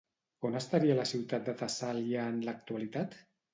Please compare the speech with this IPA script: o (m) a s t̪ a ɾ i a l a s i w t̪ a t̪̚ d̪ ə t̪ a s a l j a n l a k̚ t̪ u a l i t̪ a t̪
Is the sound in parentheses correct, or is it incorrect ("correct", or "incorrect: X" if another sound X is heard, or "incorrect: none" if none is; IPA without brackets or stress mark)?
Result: incorrect: n